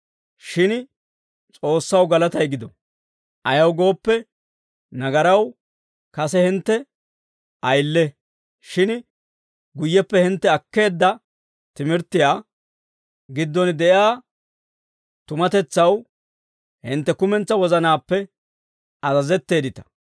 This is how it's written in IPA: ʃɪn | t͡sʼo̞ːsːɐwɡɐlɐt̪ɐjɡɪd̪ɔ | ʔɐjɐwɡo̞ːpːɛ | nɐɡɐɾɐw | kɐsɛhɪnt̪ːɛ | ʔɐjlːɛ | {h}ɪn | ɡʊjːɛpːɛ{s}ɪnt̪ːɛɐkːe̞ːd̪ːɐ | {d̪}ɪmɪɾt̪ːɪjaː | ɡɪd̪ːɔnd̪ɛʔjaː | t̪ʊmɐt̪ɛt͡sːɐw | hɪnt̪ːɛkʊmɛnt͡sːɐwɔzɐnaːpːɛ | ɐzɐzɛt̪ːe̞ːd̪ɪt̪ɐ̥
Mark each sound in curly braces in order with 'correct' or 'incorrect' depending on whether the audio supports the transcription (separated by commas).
incorrect, incorrect, incorrect